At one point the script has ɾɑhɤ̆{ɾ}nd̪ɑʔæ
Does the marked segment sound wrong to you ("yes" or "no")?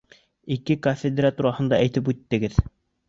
yes